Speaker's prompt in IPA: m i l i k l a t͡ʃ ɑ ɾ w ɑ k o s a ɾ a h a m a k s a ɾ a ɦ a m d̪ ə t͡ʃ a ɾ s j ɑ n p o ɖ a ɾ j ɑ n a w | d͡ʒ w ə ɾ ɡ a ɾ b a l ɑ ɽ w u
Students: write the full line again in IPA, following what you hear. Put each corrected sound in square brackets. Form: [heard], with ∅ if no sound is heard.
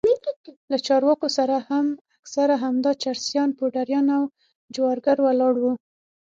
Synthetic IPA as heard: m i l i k l a t͡ʃ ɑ ɾ w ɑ k o s a ɾ a h a m a k s a ɾ a ɦ a m d̪ [ɑ] t͡ʃ a ɾ s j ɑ n p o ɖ a ɾ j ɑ n a w | d͡ʒ w [ɑ] ɾ ɡ a ɾ [w] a l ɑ ɽ w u